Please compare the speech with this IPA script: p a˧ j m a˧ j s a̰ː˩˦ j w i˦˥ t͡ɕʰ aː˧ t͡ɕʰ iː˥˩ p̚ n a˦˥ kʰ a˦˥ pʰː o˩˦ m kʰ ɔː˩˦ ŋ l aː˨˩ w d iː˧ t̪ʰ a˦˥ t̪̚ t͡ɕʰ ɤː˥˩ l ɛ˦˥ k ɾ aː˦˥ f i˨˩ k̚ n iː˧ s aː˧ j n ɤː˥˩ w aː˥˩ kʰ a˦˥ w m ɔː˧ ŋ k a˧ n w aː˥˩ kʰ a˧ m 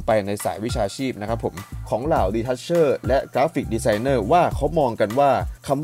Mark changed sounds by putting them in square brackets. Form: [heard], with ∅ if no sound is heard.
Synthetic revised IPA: p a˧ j [n] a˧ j s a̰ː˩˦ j w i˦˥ t͡ɕʰ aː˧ t͡ɕʰ iː˥˩ p̚ n a˦˥ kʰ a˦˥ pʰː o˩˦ m kʰ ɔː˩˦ ŋ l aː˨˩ w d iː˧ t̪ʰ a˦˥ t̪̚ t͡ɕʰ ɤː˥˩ l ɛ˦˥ k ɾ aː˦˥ f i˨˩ k̚ [d] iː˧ s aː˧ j n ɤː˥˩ w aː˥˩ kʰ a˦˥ w m ɔː˧ ŋ k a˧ n w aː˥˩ kʰ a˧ m